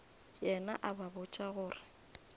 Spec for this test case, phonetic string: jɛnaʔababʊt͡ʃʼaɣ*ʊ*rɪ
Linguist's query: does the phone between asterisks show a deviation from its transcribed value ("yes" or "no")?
yes